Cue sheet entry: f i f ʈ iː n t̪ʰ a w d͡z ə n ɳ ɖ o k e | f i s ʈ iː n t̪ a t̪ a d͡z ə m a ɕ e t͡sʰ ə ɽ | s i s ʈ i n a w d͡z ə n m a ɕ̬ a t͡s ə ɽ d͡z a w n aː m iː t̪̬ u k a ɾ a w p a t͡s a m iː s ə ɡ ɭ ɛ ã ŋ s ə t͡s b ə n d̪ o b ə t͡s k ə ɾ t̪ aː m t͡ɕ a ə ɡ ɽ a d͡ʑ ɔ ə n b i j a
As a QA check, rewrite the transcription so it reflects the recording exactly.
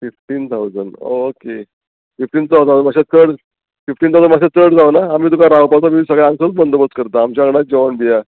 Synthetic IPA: f i f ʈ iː n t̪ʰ a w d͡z ə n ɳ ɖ o k e | f i f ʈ iː n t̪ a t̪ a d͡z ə m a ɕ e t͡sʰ ə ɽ | f i f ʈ i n a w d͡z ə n m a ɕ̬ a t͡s ə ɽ d͡z a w n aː m iː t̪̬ u k a ɾ a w p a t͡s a m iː s ə ɡ ɭ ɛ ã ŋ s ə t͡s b ə n d̪ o b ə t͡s k ə ɾ t̪ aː m t͡ɕ a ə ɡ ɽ a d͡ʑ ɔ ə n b i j a